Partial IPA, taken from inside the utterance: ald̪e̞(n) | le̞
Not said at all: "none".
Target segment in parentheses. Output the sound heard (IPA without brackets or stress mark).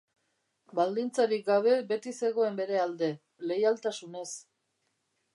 none